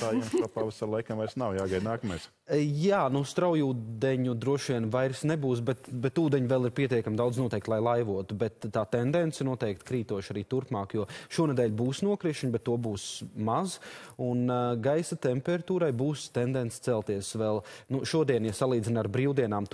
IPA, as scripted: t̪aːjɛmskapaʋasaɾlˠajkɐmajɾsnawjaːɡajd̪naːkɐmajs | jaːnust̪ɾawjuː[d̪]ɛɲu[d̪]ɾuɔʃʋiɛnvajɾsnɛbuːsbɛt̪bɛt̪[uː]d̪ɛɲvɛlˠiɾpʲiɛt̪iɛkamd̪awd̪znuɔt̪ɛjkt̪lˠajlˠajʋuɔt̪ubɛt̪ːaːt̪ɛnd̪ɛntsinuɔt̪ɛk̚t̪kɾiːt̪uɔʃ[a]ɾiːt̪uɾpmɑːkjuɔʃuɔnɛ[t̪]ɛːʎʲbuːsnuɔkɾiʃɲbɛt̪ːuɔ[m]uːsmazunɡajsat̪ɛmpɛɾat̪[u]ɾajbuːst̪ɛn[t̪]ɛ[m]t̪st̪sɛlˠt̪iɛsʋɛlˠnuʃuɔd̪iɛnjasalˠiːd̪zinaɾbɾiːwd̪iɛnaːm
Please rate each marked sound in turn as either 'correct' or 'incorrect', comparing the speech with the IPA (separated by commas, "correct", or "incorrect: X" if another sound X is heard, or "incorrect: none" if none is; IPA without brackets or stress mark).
correct, correct, correct, correct, incorrect: d̪, incorrect: b, incorrect: uː, incorrect: d̪, incorrect: n